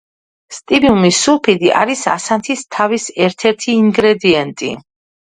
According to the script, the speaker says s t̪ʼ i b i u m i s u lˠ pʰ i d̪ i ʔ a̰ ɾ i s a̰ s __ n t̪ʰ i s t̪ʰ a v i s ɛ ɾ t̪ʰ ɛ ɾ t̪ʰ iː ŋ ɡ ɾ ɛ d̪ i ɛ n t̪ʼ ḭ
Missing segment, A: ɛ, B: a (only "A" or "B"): B